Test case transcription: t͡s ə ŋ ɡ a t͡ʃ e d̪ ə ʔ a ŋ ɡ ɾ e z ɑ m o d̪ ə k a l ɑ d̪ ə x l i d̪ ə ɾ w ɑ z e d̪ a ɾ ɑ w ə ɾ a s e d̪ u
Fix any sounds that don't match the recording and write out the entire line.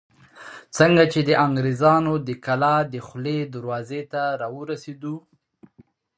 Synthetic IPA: t͡s ə ŋ ɡ a t͡ʃ e d̪ ə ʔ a ŋ ɡ ɾ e z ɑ n o d̪ ə k a l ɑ d̪ ə x l e d̪ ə ɾ w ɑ z e t̪ a ɾ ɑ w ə ɾ a s e d̪ u